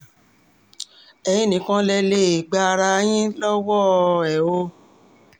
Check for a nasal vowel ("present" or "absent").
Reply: present